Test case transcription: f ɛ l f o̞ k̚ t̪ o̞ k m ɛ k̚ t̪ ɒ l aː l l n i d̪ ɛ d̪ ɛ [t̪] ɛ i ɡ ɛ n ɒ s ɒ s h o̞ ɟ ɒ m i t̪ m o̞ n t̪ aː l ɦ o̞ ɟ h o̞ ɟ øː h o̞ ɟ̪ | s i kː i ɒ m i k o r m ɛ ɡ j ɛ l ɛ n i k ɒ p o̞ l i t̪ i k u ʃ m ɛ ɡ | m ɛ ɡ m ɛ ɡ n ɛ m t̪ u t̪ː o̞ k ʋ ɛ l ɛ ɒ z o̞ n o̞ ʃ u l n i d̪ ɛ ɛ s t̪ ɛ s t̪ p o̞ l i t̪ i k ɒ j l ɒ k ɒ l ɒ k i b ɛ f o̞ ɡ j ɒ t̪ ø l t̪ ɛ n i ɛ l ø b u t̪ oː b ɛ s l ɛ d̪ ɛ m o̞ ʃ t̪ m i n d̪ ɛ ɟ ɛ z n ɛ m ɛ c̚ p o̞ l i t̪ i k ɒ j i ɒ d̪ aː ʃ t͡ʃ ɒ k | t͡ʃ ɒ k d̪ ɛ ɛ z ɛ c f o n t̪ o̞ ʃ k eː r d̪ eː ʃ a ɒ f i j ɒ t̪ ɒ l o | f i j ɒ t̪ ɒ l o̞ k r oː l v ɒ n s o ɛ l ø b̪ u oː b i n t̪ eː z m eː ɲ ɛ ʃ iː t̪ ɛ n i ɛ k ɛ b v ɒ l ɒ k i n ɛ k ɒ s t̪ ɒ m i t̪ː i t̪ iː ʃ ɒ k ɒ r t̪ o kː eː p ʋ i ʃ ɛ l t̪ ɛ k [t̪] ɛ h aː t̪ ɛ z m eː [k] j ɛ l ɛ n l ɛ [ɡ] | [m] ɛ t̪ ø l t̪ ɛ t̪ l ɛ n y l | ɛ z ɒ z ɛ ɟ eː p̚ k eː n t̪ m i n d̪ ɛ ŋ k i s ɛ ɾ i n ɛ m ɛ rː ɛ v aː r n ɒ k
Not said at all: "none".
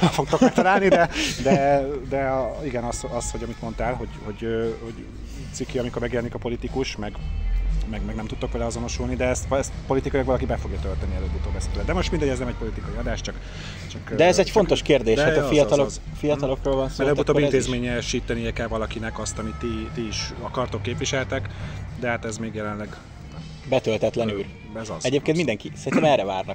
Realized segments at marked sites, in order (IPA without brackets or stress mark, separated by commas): d̪, d̪, ɡ, ɡ, b